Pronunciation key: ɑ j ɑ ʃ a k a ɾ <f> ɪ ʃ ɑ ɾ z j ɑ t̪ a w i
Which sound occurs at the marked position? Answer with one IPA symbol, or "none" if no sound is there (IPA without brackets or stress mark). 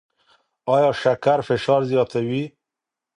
f